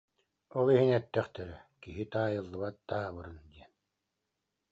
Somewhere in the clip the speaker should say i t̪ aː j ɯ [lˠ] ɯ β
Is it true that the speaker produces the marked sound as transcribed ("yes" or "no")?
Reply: no